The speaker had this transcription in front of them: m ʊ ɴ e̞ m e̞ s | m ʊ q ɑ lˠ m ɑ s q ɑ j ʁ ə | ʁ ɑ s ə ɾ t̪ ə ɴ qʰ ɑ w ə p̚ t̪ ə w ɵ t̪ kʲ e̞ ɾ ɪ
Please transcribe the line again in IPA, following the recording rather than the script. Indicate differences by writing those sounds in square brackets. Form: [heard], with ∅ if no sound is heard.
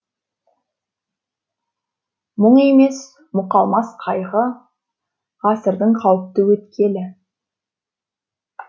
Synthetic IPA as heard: m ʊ ɴ e̞ m e̞ s | m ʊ q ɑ lˠ m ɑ s [qʰ] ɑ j ʁ ə | ʁ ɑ s ə ɾ [d̪] ə ɴ qʰ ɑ w ə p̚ t̪ ə w ɵ t̪ kʲ e̞ [l] ɪ